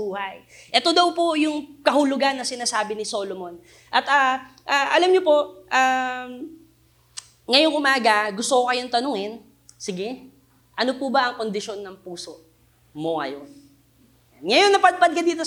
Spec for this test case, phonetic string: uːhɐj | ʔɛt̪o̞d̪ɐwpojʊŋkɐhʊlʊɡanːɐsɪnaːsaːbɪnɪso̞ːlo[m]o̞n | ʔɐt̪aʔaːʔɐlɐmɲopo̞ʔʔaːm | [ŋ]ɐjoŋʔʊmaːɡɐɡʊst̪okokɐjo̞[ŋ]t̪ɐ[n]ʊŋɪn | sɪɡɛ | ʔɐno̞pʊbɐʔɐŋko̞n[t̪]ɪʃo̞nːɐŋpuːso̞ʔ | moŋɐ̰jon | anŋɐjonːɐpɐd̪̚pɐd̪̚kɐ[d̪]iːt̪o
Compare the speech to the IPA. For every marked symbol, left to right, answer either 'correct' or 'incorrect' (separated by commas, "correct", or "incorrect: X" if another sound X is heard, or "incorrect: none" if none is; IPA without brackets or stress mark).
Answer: correct, correct, incorrect: n, correct, incorrect: d̪, correct